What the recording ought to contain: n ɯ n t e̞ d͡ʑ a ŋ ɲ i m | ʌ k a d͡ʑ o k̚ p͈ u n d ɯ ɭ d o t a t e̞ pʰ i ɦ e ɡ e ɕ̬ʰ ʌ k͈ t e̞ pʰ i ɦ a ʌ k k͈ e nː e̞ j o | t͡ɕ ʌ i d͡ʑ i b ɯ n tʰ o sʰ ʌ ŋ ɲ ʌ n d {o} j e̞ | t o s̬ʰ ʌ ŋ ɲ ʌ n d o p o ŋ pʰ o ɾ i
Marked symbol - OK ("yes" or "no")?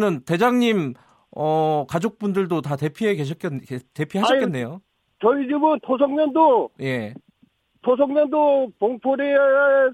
yes